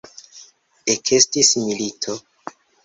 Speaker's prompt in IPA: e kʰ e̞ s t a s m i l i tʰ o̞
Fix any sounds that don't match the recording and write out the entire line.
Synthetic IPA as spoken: e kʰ e̞ s t i s m i l i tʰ o̞